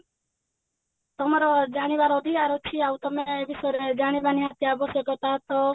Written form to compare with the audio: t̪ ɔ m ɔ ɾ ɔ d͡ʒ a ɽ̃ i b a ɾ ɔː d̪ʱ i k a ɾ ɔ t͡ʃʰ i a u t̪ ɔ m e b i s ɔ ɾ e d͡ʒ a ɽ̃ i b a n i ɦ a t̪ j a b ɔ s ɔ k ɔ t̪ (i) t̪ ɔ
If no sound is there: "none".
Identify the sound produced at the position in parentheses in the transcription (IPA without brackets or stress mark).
a